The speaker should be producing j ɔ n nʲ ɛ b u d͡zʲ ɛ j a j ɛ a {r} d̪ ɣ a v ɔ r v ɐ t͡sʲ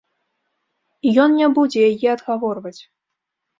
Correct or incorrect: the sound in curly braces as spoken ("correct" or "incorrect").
incorrect